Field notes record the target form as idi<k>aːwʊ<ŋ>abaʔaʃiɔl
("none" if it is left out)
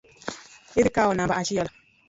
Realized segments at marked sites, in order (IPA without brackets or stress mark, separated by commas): k, n